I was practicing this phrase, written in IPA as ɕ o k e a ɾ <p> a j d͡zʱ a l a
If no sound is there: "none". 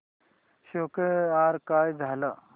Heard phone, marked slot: k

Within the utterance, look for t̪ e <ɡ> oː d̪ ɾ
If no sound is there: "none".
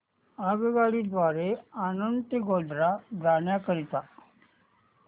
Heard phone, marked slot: ɡ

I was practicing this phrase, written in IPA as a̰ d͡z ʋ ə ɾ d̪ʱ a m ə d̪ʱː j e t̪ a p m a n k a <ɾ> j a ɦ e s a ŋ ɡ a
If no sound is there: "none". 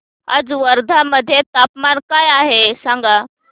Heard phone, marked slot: none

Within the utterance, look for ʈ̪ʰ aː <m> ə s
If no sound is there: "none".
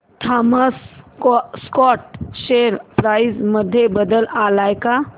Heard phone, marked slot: m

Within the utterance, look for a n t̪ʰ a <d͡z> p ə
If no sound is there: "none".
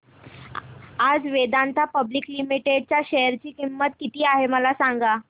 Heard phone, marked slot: none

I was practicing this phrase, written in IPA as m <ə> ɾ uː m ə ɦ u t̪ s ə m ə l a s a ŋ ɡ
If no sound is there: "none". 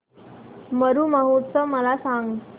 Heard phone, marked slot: ə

